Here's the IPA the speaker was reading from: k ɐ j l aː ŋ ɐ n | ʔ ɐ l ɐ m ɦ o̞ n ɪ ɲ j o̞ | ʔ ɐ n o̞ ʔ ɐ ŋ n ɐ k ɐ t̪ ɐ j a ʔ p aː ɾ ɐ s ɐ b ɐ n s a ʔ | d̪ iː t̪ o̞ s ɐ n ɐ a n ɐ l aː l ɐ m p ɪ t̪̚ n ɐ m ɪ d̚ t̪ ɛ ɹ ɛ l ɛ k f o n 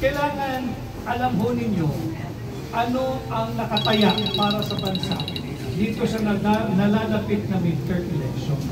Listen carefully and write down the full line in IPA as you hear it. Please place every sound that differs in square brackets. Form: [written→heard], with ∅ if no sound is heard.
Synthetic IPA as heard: k ɐ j l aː ŋ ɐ n | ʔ ɐ l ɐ m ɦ o̞ n ɪ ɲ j o̞ | ʔ ɐ n o̞ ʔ ɐ ŋ n ɐ k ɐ t̪ ɐ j a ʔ p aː ɾ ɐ s ɐ b ɐ n s a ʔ | d̪ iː t̪ o̞ s ɐ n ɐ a n ɐ l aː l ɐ [m→∅] p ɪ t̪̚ n ɐ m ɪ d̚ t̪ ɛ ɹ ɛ l ɛ k [f→ʃ] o n